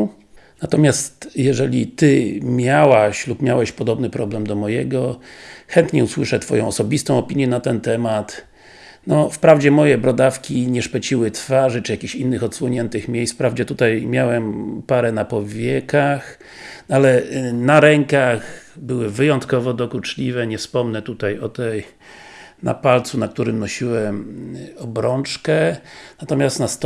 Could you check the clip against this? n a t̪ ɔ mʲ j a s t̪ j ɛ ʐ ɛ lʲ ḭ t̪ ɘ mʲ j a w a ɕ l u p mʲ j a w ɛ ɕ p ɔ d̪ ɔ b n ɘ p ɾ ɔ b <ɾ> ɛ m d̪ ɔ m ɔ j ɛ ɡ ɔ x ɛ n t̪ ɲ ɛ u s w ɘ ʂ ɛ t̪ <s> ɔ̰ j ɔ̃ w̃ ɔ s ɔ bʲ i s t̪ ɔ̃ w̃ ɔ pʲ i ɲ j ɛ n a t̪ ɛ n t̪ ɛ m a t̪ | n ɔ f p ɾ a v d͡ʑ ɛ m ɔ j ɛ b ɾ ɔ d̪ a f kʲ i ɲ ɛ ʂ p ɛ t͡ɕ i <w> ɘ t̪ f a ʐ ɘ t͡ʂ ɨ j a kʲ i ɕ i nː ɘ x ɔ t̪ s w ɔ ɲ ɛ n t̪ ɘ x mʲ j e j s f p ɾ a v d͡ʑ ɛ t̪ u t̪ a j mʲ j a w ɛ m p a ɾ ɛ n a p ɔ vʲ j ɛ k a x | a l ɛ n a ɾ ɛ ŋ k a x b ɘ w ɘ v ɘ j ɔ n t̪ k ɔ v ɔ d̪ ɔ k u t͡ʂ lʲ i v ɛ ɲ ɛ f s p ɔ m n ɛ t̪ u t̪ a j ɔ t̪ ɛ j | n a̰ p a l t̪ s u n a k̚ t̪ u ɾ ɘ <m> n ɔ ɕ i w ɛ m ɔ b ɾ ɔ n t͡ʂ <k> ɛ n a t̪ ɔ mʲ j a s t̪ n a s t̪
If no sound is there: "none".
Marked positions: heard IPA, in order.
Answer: l, f, w, m, k

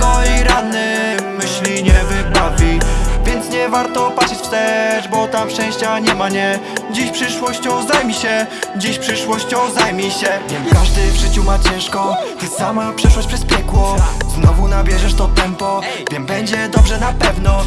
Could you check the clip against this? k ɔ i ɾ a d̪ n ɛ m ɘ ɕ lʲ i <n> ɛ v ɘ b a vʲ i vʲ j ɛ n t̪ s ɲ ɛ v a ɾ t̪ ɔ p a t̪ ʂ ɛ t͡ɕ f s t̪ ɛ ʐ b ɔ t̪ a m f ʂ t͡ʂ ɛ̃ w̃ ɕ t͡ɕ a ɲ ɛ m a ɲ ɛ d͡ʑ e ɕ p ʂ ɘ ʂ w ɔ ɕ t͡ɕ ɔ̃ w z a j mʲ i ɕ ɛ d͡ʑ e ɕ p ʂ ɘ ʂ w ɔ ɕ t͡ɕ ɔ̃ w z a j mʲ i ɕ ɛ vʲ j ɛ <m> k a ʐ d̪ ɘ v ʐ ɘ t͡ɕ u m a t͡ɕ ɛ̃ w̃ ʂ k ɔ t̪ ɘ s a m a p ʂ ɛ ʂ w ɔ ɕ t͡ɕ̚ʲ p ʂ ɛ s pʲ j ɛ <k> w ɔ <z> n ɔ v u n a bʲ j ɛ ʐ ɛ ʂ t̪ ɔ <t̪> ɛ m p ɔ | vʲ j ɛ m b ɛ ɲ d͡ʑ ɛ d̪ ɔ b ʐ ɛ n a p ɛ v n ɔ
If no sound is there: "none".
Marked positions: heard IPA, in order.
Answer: ɲ, m, k, z, t̪

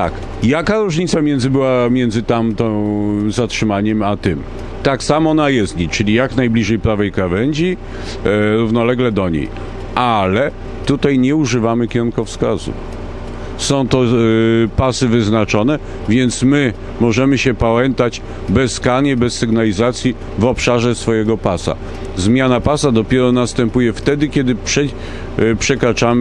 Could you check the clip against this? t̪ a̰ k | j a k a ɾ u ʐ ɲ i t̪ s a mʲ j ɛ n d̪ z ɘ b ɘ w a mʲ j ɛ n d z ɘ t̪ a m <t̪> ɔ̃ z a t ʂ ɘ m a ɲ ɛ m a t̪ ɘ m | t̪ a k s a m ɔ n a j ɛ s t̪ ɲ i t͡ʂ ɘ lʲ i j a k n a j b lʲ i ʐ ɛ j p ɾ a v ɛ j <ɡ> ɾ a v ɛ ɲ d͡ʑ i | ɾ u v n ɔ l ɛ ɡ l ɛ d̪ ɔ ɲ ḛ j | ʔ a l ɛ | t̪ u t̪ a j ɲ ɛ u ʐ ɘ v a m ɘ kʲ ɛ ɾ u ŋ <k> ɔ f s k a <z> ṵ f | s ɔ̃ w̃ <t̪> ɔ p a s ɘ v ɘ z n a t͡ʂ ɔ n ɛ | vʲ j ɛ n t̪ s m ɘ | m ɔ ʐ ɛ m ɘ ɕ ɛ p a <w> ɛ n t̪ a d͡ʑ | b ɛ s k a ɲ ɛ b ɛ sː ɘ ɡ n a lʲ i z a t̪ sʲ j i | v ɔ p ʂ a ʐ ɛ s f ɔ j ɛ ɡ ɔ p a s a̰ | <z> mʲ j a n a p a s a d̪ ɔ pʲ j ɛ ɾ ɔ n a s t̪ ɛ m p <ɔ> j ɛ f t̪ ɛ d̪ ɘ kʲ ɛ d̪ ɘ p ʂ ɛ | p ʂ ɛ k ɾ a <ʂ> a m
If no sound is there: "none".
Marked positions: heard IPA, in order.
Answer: t̪, k, k, z, t̪, w, z, u, t͡ʂ

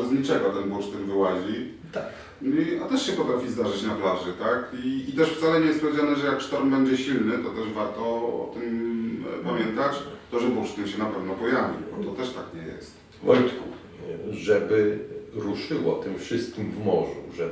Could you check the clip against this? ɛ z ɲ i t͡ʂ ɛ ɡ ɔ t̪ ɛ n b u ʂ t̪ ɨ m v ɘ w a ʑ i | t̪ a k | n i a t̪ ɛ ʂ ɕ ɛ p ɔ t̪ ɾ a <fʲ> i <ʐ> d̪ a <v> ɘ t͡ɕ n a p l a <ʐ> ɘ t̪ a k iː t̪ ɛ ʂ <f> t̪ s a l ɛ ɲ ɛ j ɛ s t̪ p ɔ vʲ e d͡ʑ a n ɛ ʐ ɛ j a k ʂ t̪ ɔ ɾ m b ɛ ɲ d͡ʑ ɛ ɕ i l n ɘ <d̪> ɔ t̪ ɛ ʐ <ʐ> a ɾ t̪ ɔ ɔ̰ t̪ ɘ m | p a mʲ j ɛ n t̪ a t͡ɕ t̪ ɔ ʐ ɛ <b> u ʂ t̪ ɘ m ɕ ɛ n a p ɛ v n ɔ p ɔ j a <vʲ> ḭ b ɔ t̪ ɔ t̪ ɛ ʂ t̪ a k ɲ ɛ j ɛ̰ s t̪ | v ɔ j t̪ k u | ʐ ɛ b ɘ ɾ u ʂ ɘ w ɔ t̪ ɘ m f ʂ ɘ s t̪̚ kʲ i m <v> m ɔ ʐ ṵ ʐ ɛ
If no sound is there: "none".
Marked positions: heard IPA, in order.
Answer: fʲ, z, ʐ, ʐ, f, t̪, v, b, vʲ, v

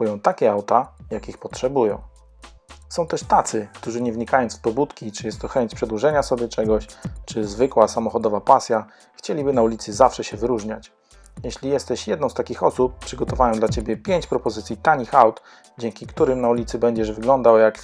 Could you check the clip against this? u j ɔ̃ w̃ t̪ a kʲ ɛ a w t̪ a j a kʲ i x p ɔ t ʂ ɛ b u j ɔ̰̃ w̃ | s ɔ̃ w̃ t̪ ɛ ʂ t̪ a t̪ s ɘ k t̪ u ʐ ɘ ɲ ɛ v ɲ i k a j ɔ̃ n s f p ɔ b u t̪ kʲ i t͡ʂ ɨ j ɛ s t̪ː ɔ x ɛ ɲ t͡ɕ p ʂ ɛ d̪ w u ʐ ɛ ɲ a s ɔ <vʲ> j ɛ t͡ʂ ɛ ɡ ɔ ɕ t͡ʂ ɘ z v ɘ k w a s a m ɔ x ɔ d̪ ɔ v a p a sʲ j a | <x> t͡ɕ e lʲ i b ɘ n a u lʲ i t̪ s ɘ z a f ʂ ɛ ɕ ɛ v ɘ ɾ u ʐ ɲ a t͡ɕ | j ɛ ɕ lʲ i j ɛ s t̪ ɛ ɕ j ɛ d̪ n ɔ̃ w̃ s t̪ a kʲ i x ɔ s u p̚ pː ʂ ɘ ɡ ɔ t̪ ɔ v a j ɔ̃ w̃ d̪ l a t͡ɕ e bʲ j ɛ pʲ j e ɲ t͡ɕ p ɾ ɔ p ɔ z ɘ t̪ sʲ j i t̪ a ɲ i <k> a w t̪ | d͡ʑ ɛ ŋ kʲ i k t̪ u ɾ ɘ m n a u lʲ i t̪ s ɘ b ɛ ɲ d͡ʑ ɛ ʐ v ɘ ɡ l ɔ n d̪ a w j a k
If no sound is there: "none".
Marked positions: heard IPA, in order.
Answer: bʲ, x, x

